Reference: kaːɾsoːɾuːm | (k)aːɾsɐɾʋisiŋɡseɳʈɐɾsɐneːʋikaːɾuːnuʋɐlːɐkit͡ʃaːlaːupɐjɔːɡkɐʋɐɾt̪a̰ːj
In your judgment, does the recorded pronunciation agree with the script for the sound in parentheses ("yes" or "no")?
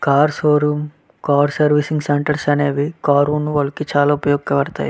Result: yes